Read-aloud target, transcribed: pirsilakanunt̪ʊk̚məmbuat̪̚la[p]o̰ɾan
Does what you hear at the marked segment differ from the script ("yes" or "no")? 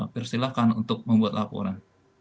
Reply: no